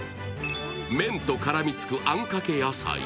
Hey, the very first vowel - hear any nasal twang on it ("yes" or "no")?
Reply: yes